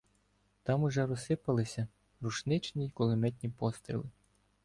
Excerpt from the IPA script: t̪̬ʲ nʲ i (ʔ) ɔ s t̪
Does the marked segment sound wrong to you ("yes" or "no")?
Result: yes